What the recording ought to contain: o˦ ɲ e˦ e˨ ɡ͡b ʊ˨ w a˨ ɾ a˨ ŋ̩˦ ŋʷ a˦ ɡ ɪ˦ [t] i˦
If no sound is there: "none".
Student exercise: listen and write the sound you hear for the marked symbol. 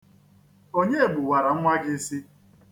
s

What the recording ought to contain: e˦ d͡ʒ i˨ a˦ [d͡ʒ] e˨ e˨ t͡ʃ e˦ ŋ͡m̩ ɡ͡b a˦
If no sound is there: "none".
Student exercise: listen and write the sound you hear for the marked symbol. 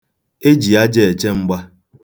d͡ʒ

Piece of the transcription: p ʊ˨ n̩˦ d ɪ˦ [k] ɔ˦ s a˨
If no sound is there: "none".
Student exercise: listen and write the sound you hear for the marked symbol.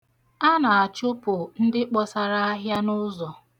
k͡p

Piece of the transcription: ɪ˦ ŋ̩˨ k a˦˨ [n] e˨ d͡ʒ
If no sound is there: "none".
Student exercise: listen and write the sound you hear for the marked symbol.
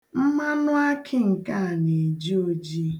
n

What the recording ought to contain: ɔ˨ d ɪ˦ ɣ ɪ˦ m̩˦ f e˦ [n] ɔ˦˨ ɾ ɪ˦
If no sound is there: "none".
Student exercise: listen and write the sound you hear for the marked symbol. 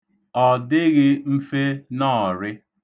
n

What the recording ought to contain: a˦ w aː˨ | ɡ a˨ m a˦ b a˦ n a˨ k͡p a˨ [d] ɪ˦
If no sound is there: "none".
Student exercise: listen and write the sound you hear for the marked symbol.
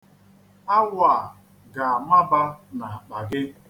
ɡ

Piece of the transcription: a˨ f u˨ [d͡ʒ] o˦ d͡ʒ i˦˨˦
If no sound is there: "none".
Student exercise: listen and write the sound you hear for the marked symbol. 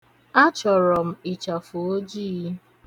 none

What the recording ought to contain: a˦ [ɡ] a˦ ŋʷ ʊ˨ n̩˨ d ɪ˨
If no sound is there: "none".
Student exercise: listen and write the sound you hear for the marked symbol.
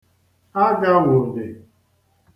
ɡ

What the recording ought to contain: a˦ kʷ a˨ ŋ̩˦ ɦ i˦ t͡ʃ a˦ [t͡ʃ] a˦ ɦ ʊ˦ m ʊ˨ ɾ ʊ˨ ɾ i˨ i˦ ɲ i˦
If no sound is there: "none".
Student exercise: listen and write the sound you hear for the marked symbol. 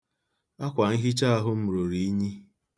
none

